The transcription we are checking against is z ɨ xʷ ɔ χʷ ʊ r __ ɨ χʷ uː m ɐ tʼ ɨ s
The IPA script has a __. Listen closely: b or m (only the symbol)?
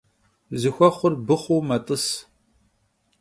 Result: b